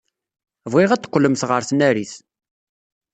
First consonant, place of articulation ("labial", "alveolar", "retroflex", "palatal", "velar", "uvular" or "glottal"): labial